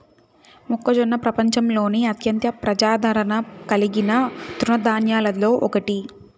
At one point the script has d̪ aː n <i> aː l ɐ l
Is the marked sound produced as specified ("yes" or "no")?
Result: no